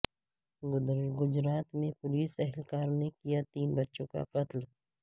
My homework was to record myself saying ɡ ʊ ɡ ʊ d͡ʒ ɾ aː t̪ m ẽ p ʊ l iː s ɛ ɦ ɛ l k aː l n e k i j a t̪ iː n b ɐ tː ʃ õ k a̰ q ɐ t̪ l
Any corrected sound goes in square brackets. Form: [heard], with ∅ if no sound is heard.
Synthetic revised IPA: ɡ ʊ ɡ ʊ d͡ʒ ɾ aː t̪ m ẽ p ʊ l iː s ɛ ɦ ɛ l k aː [ɾ] n e k i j a t̪ iː n b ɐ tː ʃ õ k a̰ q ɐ t̪ l